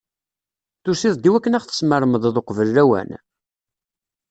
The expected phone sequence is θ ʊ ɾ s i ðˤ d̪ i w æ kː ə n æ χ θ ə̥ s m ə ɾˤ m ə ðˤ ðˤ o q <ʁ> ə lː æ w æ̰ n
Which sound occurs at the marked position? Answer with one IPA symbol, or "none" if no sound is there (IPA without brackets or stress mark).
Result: v